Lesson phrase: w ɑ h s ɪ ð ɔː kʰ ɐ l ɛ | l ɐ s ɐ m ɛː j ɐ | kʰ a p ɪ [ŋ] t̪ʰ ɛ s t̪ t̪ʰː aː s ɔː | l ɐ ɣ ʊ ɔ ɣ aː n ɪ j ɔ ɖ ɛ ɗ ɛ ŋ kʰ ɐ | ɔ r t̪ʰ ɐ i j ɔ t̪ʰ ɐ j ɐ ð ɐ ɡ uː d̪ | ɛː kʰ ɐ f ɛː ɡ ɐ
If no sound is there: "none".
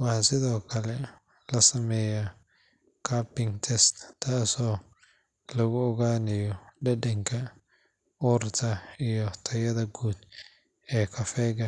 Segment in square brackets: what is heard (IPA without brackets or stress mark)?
ŋ